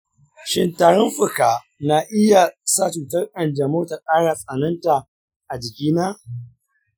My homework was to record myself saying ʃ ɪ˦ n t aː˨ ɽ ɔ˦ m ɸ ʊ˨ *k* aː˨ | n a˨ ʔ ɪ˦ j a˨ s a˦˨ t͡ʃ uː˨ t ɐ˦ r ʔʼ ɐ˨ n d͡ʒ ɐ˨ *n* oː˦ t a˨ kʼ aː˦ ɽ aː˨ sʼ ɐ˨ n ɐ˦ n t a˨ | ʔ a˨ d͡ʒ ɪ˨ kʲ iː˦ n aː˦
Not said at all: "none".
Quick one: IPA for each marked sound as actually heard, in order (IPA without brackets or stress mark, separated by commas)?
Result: k, m